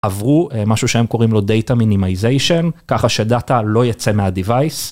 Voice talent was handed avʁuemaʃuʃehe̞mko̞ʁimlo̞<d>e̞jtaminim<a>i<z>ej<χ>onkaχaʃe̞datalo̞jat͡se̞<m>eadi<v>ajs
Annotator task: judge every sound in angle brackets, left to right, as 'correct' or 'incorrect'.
correct, correct, correct, incorrect, correct, correct

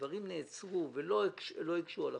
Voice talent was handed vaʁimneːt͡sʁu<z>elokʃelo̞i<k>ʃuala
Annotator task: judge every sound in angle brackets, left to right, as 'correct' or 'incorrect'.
incorrect, correct

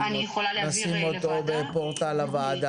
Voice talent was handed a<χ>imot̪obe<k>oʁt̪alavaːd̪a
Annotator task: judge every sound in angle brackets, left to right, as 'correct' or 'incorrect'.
incorrect, incorrect

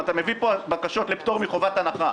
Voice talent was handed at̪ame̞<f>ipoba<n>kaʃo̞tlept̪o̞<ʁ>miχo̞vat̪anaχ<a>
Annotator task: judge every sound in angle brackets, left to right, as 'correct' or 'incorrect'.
incorrect, incorrect, correct, correct

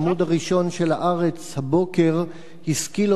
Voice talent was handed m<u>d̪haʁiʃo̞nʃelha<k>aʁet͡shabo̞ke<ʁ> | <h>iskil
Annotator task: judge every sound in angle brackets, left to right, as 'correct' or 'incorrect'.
correct, incorrect, correct, correct

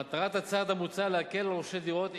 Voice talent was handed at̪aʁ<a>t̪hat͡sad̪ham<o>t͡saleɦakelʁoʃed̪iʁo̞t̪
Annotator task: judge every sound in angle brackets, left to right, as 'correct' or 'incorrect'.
correct, incorrect

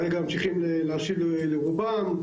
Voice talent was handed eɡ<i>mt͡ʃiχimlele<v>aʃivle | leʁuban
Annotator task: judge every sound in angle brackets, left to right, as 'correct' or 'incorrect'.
incorrect, incorrect

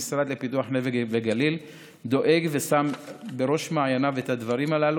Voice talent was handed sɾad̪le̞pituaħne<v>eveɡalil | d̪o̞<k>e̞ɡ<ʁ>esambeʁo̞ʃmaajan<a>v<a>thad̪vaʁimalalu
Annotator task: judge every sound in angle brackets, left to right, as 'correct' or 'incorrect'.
correct, incorrect, incorrect, correct, incorrect

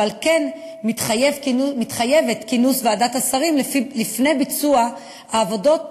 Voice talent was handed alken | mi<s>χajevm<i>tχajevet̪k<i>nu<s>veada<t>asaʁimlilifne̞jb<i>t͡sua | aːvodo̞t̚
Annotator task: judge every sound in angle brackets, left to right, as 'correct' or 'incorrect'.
incorrect, correct, correct, correct, correct, correct

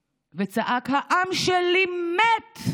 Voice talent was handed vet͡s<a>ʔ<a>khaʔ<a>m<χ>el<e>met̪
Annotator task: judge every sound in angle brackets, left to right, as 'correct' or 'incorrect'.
correct, correct, correct, incorrect, incorrect

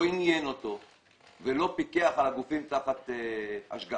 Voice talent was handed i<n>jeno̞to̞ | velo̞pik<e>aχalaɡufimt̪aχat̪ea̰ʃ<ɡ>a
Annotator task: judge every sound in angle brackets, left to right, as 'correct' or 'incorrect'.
correct, correct, correct

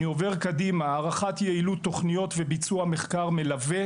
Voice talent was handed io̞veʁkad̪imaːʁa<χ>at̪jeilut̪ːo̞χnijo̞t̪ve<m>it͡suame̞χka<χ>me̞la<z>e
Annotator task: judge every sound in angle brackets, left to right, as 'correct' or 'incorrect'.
correct, incorrect, incorrect, incorrect

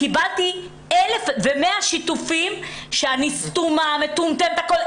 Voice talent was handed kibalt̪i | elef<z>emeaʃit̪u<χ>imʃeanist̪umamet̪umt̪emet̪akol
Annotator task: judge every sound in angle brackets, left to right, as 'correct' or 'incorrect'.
incorrect, incorrect

